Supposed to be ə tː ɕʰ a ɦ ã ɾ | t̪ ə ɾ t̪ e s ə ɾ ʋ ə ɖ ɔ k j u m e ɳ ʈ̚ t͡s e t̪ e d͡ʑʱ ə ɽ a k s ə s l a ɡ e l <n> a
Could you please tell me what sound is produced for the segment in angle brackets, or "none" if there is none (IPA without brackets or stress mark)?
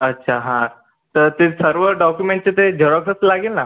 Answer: n